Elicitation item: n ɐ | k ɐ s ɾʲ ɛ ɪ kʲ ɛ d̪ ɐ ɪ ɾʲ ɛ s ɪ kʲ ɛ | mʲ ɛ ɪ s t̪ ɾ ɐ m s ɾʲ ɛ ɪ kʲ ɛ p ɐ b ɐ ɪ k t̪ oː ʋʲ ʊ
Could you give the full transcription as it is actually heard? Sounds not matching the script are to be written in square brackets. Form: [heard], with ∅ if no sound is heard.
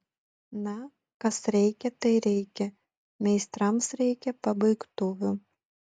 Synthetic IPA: n ɐ | k ɐ s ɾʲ ɛ ɪ kʲ ɛ [t̪] ɐ ɪ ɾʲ ɛ [∅] ɪ kʲ ɛ | mʲ ɛ ɪ s t̪ ɾ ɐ m s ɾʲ ɛ ɪ kʲ ɛ p ɐ b ɐ ɪ k t̪ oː ʋʲ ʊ